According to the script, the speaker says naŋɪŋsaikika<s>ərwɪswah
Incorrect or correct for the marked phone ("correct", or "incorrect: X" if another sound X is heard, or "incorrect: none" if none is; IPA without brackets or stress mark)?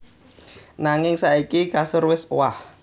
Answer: correct